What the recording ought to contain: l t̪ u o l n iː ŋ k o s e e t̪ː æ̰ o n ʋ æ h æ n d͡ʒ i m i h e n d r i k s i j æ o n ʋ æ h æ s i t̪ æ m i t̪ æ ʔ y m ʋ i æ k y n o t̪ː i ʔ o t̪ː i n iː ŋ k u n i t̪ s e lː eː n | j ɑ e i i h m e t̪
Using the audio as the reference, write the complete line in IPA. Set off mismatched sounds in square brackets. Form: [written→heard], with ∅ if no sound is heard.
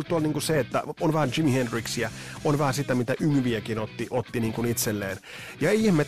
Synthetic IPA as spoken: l t̪ u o l n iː ŋ k [o→u] s e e t̪ː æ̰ o n ʋ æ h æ n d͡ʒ i m i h e n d r i k s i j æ o n ʋ æ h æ s i t̪ æ m i t̪ æ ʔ y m ʋ i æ k [y→i] n o t̪ː i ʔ o t̪ː i n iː ŋ k u n i t̪ s e lː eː n | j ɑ e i i h m e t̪